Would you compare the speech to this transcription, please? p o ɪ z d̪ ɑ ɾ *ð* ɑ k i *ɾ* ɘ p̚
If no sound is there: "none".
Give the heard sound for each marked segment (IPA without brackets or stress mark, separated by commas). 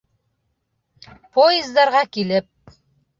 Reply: ʁ, l